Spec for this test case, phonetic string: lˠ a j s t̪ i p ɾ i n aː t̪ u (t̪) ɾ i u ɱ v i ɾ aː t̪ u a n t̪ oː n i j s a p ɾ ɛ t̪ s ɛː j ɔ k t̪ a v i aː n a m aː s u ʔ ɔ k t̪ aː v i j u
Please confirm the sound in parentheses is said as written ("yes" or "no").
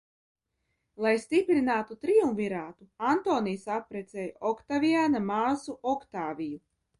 yes